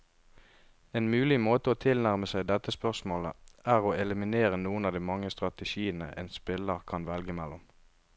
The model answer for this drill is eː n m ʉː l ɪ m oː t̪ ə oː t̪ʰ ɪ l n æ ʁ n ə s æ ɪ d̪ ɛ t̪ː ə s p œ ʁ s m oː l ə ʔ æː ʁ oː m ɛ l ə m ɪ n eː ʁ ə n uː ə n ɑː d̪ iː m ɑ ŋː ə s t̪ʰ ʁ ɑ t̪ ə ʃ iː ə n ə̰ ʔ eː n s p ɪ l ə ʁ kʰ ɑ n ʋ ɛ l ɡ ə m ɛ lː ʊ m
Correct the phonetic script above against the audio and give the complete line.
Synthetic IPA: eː n m ʉː l ɪ m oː t̪ ə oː t̪ʰ ɪ l n æ ʁ m ə s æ ɪ d̪ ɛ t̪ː ə s p œ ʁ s m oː l ə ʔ æː ʁ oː ɛ l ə m ɪ n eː ʁ ə n uː ə n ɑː d̪ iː m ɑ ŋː ə s t̪ ʁ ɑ t̪ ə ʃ iː ə n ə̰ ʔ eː n s p ɪ l ə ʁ kʰ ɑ n ʋ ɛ l ɡ ə m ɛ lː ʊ m